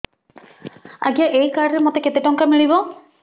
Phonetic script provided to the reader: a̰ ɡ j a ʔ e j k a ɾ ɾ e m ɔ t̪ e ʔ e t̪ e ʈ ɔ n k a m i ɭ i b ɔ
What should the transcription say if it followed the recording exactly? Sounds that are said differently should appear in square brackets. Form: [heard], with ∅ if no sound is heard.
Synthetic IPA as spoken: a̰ ɡ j a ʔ e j k a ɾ ɾ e m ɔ t̪ e [k] e t̪ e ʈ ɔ [ŋ] k a m i ɭ i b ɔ

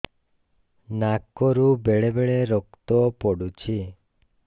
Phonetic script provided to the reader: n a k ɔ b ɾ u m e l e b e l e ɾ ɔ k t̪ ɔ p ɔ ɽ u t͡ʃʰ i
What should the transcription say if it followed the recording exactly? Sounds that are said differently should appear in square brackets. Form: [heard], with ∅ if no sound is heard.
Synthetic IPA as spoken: n a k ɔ [∅] ɾ u [b] e [ɭ] e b e [ɭ] e ɾ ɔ k t̪ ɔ p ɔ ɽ u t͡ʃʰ i

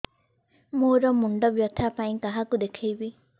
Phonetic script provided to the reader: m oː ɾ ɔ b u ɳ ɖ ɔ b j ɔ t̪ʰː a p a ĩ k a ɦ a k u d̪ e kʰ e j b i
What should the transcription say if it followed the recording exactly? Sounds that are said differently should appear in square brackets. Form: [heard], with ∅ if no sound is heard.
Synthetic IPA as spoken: m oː ɾ ɔ [m] u ɳ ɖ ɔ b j ɔ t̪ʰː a p a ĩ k a ɦ a k u d̪ e kʰ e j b i

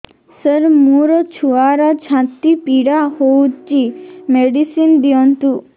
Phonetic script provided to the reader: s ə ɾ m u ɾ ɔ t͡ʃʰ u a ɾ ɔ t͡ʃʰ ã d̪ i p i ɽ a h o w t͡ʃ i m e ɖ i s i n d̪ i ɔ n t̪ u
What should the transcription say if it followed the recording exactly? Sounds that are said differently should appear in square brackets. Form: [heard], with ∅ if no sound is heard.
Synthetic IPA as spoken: s ə ɾ m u ɾ ɔ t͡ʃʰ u a ɾ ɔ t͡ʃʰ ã [t̪] i p i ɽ a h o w t͡ʃ i m e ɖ i s i n d̪ i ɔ n t̪ u

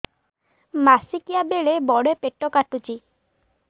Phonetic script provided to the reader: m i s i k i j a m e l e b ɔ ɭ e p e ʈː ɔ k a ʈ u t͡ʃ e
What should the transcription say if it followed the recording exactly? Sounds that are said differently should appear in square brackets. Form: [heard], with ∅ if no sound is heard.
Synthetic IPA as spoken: m [a] s i k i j a [b] e [ɭ] e b ɔ [ɽ] e p e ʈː ɔ k a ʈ u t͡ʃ [i]

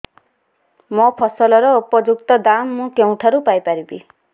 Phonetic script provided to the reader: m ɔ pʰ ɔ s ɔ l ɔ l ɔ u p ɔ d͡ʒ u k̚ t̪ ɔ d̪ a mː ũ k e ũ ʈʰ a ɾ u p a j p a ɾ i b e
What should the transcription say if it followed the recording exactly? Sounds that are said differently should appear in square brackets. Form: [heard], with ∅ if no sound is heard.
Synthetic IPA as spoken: m ɔ pʰ ɔ s ɔ l ɔ [ɾ] ɔ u p ɔ d͡ʒ u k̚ t̪ ɔ d̪ a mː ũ k e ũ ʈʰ a ɾ u p a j p a ɾ i b [i]

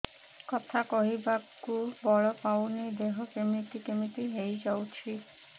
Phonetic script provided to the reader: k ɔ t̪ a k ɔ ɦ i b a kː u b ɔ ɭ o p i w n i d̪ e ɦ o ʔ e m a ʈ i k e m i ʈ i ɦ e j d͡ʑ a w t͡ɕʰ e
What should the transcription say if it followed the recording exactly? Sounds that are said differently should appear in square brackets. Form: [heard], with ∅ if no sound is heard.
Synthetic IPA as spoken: k ɔ [t̪ʰ] a k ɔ ɦ i b a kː u b ɔ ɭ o p [a] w n i d̪ e ɦ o [k] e m [i] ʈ i k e m i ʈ i ɦ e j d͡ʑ a w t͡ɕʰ [i]

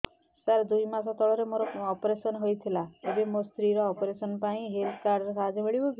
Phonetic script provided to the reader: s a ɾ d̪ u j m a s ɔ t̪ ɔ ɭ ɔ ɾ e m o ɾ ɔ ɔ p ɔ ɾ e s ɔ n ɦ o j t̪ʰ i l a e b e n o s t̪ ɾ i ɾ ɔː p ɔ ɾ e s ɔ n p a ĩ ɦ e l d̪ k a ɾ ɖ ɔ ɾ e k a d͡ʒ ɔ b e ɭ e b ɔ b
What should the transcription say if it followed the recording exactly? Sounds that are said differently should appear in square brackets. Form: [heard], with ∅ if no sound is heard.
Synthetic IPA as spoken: s a ɾ d̪ u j m a s ɔ t̪ ɔ ɭ ɔ ɾ e m o ɾ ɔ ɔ p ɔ ɾ e s ɔ n ɦ o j t̪ʰ i l a e b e [m] o s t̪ ɾ i ɾ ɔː p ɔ ɾ e s ɔ n p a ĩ ɦ e l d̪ k a ɾ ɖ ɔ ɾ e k a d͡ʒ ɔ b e ɭ [i] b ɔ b

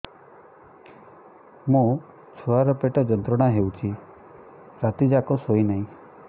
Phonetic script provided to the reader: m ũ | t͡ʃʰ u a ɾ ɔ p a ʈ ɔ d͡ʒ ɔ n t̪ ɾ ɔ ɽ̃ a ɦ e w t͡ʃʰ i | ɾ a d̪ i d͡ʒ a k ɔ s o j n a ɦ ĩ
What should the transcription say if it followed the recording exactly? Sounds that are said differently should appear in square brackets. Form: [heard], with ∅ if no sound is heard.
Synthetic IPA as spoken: m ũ | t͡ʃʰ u a ɾ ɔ p [e] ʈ ɔ d͡ʒ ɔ n t̪ ɾ ɔ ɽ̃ a ɦ e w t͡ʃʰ i | ɾ a [t̪] i d͡ʒ a k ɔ s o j n a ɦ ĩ

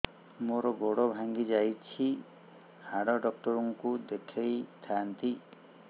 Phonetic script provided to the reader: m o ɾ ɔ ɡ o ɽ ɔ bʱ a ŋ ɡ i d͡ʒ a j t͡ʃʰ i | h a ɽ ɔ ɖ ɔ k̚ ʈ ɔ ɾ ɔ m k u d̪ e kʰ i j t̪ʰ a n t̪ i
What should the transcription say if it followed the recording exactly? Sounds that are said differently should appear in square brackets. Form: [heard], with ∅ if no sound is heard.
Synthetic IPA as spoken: m o ɾ ɔ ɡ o ɽ ɔ bʱ a ŋ ɡ i d͡ʒ a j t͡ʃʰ i | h a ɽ ɔ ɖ ɔ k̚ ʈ ɔ ɾ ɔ [ŋ] k u d̪ e kʰ [e] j t̪ʰ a n t̪ i

